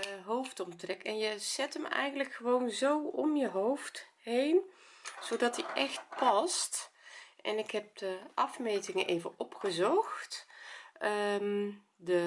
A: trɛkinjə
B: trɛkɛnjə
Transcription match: B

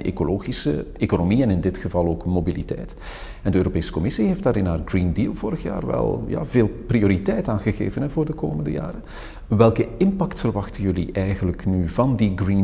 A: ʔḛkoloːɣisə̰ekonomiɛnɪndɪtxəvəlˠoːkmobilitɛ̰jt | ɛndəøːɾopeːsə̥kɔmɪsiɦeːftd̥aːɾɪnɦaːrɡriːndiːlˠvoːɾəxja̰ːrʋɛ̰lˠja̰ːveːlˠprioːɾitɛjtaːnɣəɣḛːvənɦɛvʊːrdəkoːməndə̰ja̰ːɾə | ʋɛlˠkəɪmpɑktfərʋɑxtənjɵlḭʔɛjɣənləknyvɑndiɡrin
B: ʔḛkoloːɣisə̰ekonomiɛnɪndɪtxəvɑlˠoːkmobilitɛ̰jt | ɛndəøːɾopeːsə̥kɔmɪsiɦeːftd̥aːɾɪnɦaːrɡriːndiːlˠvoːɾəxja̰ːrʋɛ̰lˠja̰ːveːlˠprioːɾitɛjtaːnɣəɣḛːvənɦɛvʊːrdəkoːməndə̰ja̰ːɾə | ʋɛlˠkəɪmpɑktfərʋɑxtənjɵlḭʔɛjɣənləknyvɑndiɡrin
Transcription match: B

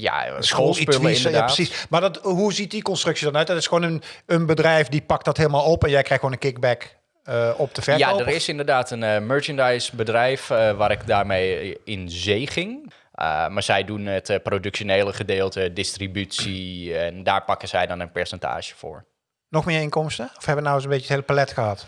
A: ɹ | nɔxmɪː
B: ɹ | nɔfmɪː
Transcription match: A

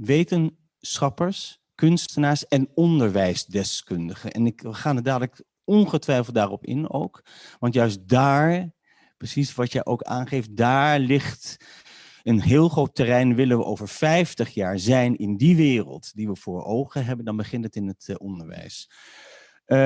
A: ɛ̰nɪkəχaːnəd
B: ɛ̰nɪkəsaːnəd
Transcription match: A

